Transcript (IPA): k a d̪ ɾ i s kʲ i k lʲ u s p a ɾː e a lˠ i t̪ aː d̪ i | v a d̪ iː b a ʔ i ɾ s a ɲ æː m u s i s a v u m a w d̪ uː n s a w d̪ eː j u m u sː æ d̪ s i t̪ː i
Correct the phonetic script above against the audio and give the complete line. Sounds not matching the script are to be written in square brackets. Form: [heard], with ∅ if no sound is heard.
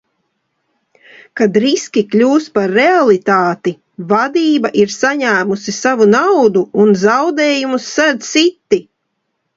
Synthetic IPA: k a d̪ ɾ i s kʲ i k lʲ [uː] s p a ɾː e a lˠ i t̪ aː [t̪] i | v a d̪ iː b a ʔ i ɾ s a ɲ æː m u s i s a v u [n] a w d̪ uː n [z] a w d̪ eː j u m u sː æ d̪ s i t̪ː i